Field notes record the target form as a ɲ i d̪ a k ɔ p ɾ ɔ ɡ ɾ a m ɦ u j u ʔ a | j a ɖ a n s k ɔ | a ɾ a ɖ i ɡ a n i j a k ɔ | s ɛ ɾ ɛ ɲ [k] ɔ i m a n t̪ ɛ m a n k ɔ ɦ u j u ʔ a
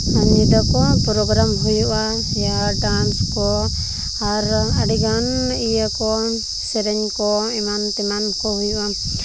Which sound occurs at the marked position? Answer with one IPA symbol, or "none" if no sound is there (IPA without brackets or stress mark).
k